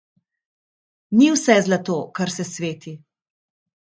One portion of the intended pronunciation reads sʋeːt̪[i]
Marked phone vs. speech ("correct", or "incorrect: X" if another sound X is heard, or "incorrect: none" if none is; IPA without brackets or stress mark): correct